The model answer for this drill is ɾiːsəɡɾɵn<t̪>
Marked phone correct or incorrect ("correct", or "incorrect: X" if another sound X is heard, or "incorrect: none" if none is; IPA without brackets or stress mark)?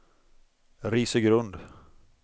incorrect: d̪